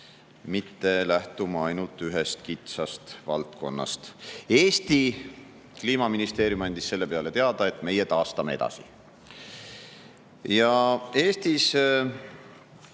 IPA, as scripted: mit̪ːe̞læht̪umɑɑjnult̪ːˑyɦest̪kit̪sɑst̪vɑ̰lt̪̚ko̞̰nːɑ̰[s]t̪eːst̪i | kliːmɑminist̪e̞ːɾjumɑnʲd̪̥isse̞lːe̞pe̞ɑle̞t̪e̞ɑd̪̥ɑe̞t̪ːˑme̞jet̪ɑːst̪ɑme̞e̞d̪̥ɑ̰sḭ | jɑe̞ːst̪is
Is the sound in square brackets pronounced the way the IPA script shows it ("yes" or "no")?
yes